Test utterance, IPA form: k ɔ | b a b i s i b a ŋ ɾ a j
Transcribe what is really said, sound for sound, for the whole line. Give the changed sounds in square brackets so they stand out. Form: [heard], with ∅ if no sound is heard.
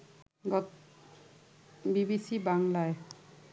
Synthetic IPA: [ɡ] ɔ | b [i] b i s i b a ŋ [l] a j